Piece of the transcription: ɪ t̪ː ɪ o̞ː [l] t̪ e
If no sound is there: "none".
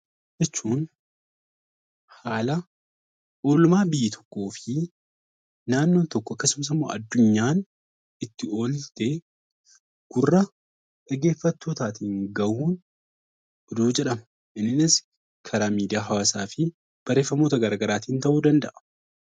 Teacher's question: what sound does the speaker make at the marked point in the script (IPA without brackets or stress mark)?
l